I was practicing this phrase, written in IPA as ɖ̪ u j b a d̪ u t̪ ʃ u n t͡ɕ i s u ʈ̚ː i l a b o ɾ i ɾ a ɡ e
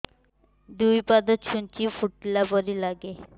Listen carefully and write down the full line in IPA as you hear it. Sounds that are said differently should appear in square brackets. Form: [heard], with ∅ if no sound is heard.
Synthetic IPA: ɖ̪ u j [p] a d̪ [o] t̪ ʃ u n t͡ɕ i [f] u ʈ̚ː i l a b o ɾ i [l] a ɡ e